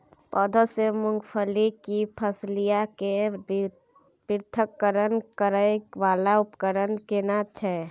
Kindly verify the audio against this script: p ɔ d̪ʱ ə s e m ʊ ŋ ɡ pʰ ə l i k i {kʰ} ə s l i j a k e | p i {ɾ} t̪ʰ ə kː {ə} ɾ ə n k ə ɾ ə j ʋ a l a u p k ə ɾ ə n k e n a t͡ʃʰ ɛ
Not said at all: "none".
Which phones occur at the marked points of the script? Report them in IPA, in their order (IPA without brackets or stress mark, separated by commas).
pʰ, ɾ, ə